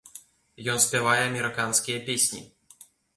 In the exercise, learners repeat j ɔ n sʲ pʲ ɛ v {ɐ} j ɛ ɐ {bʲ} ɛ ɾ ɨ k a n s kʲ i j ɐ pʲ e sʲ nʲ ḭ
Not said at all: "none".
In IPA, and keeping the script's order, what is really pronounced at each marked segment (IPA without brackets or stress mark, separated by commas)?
a, mʲ